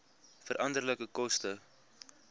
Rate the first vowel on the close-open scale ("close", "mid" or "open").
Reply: mid